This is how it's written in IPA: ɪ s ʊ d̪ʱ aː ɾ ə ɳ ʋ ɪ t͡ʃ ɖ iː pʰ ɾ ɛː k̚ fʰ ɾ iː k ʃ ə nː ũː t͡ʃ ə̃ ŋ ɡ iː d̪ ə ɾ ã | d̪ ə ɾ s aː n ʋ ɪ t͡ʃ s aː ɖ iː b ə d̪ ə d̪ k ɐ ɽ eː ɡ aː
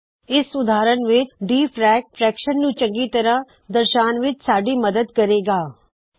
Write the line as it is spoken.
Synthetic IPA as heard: ɪ s ʊ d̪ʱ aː ɾ ə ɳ ʋ ɪ t͡ʃ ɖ iː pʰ ɾ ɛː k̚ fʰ ɾ ɛː k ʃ ə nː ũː t͡ʃ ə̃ ŋ ɡ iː t̪ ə ɾ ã | d̪ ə ɾ ʃ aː n ʋ ɪ t͡ʃ s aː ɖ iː m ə d̪ ə d̪ k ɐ ɾ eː ɡ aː